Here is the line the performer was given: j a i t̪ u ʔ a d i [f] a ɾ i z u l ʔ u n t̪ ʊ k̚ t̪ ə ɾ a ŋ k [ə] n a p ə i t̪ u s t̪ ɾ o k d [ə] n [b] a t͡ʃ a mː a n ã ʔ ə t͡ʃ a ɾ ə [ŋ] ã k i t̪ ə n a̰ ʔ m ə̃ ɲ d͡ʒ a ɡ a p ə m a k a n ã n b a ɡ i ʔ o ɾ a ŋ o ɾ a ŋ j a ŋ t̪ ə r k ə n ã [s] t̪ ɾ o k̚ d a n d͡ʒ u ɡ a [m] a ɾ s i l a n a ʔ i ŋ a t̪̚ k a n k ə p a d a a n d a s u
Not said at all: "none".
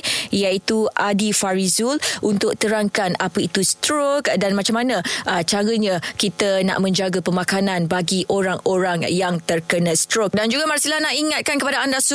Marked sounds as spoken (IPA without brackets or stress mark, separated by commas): f, a, a, m, ɲ, s, m